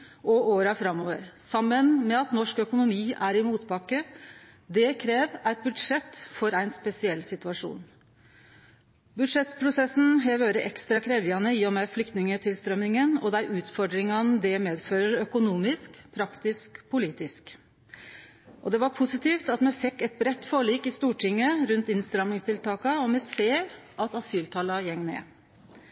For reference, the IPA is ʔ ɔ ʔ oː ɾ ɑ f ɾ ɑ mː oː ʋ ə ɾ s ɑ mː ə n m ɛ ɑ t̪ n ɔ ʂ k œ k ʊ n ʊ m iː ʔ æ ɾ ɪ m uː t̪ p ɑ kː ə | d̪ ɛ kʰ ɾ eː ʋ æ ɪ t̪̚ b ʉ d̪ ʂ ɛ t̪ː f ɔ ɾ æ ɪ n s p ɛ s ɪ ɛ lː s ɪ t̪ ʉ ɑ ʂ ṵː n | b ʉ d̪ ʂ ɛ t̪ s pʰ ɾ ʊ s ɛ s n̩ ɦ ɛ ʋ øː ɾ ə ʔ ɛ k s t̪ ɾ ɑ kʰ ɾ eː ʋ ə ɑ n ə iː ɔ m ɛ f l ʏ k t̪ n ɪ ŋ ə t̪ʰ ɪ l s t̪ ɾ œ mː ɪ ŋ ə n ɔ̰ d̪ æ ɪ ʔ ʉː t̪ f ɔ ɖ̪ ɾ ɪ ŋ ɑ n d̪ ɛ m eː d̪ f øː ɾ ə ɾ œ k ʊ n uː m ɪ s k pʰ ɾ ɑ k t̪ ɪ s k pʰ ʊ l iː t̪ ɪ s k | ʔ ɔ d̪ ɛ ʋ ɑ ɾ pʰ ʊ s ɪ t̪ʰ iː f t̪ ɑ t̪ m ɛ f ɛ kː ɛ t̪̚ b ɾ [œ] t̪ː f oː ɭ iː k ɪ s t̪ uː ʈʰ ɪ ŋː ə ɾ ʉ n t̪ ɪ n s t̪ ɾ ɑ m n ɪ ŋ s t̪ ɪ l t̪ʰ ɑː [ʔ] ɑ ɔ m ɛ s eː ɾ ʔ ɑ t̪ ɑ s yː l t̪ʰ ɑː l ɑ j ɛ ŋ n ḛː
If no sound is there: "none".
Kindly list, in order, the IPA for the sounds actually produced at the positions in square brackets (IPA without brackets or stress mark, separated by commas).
ɛ, k